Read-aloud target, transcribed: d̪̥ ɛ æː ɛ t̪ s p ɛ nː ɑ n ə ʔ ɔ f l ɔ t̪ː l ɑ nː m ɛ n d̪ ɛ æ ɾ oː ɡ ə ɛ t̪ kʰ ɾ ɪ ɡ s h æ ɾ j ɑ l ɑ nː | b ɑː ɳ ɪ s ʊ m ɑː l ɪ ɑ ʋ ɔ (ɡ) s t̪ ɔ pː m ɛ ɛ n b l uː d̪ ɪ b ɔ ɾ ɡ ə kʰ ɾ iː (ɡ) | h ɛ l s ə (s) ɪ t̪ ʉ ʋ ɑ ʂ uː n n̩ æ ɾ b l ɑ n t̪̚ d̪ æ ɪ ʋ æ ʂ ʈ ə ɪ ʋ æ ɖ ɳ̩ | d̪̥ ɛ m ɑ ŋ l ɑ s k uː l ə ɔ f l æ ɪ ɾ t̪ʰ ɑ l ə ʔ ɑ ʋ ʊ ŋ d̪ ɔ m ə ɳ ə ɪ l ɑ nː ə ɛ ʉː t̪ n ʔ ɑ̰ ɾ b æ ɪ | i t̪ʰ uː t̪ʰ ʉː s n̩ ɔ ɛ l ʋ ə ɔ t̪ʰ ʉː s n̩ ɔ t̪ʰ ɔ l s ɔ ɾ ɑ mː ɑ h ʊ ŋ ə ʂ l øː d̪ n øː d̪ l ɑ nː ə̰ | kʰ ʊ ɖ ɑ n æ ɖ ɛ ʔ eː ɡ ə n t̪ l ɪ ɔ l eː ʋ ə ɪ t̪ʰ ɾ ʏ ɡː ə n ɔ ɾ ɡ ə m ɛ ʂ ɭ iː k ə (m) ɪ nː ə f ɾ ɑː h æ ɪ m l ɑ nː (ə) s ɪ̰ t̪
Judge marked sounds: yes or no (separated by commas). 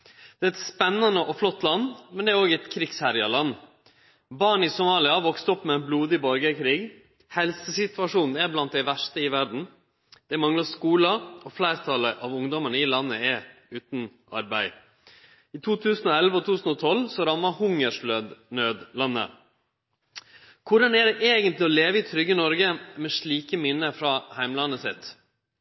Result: no, yes, yes, yes, yes